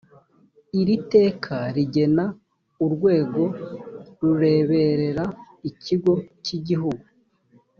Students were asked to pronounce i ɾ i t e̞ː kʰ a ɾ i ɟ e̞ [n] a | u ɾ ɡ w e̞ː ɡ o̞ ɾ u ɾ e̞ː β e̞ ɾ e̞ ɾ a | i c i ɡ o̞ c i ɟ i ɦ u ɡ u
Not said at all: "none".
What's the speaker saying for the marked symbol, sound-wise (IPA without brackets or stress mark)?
n